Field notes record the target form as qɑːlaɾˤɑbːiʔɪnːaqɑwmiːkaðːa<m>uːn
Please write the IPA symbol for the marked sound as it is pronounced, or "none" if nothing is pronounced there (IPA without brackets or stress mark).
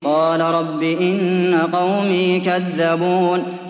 b